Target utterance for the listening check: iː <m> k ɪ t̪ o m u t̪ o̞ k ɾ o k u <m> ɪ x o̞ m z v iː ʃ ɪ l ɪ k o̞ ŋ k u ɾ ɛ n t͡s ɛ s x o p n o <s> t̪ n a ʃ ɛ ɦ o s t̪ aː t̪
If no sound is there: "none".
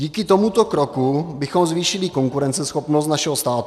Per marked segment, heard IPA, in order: none, b, s

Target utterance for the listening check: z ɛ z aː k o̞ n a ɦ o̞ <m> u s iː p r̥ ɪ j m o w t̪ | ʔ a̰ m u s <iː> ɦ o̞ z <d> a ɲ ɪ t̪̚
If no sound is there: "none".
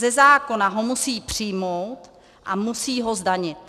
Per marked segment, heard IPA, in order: m, iː, d

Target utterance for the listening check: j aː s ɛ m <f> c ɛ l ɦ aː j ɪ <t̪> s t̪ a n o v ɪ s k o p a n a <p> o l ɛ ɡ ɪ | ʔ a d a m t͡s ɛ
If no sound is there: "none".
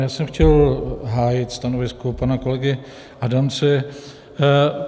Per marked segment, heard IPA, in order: x, t̪, k

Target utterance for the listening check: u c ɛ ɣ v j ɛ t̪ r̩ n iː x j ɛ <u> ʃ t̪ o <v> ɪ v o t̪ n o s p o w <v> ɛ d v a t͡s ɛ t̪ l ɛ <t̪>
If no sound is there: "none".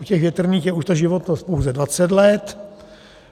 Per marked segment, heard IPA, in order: u, ʒ, z, t̪

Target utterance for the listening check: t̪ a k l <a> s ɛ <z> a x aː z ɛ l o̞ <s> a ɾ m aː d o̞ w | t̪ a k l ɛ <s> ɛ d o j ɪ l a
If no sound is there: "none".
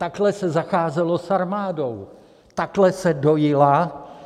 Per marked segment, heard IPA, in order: ɛ, z, s, s

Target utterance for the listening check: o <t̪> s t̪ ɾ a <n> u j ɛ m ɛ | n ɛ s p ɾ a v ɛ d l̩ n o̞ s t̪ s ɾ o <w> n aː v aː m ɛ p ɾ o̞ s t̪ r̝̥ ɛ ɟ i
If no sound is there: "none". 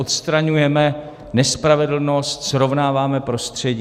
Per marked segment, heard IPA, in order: t̪, ɲ, v

